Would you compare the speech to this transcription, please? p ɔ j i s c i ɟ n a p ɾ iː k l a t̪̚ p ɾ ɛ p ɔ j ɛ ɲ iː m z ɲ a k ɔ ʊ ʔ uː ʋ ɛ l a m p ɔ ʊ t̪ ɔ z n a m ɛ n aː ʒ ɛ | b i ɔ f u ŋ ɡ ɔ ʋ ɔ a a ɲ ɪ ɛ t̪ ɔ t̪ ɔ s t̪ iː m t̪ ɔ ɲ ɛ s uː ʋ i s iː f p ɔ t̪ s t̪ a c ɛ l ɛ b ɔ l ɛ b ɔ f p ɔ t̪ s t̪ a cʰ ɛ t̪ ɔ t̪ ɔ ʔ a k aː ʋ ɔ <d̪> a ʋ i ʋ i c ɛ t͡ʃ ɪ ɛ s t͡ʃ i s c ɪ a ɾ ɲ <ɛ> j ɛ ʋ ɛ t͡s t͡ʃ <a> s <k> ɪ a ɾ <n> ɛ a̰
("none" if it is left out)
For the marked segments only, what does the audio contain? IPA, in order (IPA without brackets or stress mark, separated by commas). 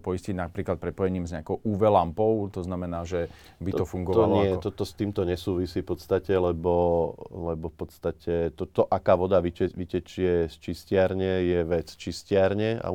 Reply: d̪, ɛ, i, c, ɲ